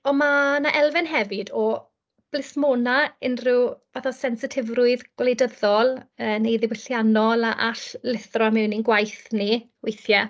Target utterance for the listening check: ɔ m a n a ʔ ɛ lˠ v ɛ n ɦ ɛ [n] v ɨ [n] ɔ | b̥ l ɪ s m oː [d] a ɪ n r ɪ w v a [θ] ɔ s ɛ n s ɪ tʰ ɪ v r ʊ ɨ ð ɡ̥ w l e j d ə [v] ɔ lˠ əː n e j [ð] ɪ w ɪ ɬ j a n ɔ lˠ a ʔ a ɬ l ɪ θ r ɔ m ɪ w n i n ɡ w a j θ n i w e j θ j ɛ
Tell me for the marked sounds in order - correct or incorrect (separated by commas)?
incorrect, incorrect, incorrect, correct, incorrect, correct